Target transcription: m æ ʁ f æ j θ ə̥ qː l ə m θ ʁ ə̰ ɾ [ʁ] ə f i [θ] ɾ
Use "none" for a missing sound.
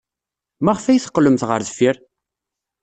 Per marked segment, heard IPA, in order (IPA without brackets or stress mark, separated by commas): ð, none